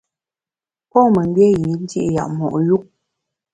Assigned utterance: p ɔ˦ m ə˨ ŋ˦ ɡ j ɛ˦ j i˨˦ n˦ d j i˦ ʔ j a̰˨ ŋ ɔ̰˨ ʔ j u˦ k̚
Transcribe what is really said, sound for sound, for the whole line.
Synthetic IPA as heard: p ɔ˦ m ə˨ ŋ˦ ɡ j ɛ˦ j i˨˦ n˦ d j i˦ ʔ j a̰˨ m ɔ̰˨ ʔ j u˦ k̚